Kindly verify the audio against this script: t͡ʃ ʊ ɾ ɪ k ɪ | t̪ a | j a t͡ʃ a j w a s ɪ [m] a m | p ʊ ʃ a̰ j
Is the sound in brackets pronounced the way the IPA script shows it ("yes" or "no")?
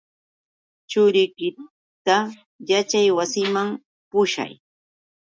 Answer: yes